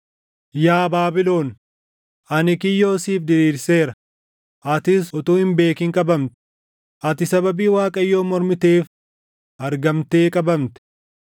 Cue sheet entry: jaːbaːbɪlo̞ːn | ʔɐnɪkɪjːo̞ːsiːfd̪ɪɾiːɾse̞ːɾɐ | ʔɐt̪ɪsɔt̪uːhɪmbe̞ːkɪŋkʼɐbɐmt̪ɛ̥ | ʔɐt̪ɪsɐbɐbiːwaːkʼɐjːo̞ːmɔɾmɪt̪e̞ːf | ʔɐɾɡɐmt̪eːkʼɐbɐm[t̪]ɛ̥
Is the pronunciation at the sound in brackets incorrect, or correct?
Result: correct